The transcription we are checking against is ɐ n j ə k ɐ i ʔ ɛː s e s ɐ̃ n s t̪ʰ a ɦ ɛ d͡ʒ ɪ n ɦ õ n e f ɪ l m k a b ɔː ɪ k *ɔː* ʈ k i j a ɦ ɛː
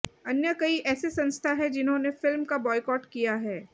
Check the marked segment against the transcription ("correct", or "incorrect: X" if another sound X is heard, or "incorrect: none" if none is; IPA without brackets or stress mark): correct